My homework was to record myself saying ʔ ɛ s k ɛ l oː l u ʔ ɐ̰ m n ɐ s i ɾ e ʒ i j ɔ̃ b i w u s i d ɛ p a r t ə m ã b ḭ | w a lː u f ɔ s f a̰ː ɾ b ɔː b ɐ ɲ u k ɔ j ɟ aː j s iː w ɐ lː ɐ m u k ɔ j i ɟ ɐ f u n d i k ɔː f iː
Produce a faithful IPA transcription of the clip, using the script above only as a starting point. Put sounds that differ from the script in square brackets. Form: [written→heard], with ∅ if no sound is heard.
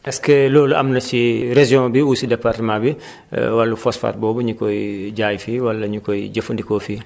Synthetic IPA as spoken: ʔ ɛ s k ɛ l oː l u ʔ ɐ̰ m n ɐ s i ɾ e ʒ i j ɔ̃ b i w u s i d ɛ p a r t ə m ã b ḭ | w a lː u f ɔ s f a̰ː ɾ b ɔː b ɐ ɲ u k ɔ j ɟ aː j [s→f] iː w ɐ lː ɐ [m→ɲ] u k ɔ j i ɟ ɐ f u n d i k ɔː f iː